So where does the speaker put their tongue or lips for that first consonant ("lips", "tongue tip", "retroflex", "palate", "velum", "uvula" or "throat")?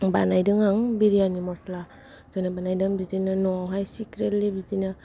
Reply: lips